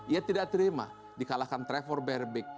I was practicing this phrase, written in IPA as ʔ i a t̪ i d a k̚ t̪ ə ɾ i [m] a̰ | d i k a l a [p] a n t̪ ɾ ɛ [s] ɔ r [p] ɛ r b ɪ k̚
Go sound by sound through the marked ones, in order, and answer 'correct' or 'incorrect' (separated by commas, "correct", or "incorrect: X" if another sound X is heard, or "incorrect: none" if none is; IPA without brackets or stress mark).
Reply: correct, incorrect: k, incorrect: f, incorrect: b